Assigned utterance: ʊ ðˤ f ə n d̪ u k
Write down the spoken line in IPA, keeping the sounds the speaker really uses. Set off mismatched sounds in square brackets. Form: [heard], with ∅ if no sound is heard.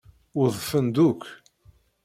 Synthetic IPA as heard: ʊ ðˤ f ə n d̪ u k

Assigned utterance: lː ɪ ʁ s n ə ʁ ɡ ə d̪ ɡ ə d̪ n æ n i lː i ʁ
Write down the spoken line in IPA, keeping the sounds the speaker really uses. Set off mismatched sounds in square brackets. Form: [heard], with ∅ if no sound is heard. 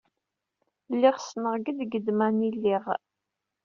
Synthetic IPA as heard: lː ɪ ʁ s n ə ʁ ɡ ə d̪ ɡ ə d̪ [m] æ n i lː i ʁ

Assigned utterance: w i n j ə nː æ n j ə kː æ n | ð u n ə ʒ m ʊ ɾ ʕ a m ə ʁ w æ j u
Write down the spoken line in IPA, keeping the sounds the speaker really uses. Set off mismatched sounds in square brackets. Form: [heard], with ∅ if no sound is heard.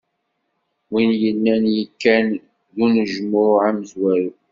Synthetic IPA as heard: w i n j ə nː æ n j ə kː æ n | ð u n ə ʒ m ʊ ɾ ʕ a m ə [z] w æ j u

